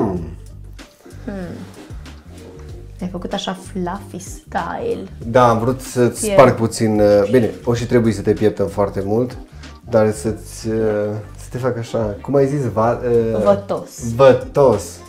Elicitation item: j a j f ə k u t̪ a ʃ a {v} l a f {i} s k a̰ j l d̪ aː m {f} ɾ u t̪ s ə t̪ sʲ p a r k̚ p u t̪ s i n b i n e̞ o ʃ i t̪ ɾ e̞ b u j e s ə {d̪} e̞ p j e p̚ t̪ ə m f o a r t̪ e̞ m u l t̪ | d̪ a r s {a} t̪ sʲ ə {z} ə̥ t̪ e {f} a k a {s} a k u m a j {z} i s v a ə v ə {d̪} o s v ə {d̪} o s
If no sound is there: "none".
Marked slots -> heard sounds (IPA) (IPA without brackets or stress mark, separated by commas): f, i, v, t̪, ə, s, f, ʃ, z, t̪, t̪